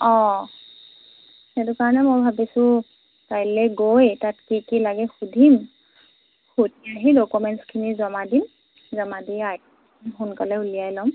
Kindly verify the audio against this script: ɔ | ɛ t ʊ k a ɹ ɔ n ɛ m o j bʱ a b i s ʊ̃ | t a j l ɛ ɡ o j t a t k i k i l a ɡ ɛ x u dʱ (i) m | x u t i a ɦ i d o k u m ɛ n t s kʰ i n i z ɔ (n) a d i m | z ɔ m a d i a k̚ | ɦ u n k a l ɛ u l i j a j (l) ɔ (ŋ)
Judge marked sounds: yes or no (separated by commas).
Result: yes, no, yes, no